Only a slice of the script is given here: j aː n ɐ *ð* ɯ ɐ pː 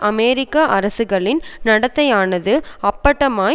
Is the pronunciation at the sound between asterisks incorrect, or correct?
correct